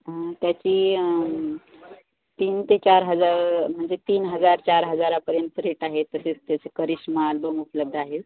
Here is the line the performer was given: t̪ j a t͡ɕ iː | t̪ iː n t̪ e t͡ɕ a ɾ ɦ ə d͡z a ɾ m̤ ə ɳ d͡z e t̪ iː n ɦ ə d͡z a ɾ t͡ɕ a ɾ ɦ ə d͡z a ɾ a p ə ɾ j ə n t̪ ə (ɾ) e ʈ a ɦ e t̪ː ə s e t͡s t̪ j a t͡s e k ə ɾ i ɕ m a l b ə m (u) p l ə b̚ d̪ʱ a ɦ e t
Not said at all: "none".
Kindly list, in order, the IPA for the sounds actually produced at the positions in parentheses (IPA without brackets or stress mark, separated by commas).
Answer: ɾ, u